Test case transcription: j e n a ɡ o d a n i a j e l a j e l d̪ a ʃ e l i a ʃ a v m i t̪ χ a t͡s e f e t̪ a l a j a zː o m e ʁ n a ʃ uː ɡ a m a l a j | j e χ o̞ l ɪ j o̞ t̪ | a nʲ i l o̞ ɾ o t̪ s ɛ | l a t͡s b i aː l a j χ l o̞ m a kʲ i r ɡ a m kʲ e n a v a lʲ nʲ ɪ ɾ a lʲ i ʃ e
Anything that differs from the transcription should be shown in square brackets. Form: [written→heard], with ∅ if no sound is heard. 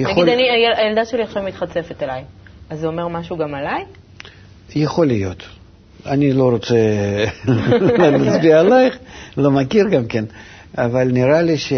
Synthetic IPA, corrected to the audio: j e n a ɡ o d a n i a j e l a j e l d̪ a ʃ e l i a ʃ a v m i t̪ χ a t͡s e f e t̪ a l a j a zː o m e ʁ [n→m] a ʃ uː ɡ a m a l a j | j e χ o̞ l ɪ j o̞ t̪ | a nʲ i l o̞ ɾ o t̪ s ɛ | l a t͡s b i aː l a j χ l o̞ m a kʲ i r ɡ a m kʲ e n a v a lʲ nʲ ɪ ɾ a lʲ i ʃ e